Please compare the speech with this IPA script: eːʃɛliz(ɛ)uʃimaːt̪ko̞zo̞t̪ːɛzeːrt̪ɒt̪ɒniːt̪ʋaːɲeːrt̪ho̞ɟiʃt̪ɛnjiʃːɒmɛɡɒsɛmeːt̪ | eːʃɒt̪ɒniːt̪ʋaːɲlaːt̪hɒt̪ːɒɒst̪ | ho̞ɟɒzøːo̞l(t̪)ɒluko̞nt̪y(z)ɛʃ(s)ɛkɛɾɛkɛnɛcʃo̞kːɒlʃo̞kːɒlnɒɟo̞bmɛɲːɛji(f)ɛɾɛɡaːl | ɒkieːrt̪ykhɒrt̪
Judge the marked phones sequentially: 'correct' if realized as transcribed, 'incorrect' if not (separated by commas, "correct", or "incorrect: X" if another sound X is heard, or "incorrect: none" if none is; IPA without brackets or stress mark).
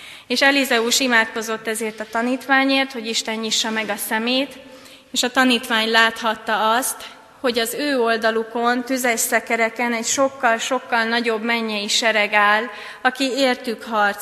correct, incorrect: d̪, correct, correct, incorrect: ʃ